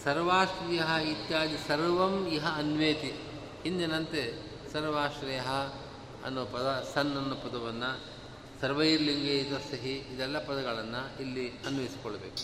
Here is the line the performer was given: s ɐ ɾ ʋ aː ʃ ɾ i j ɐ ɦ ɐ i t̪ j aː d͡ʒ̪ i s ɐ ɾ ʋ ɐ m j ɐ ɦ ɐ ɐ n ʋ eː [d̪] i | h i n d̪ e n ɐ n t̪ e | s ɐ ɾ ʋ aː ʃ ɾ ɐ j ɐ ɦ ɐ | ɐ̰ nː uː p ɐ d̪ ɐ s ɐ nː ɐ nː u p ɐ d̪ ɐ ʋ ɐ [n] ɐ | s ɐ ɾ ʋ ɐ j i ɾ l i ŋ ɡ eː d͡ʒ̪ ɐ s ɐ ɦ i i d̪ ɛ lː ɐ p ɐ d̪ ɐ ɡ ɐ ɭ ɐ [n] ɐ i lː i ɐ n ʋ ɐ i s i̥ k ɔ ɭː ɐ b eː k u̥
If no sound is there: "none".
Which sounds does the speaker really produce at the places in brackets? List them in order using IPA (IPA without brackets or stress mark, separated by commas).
t̪, nː, nː